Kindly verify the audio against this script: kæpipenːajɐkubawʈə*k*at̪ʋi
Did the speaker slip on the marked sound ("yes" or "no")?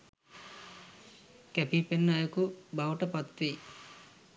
yes